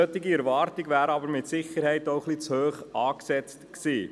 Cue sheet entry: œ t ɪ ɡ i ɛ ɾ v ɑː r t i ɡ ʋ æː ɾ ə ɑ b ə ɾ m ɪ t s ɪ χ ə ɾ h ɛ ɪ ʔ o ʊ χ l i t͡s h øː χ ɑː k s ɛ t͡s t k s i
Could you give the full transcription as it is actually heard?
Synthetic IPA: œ t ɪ ɡ i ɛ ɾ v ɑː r t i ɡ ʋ æː ɾ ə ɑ b ə ɾ m ɪ t s ɪ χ ə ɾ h ɛ ɪ t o ʊ χ l i t͡s h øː χ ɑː k s ɛ t͡s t k s iː